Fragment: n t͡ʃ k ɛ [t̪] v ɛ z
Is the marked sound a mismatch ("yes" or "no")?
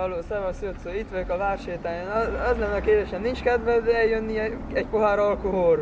yes